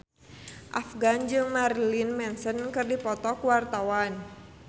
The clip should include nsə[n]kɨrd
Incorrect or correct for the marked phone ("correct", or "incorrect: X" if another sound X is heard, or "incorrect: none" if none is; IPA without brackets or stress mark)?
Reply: correct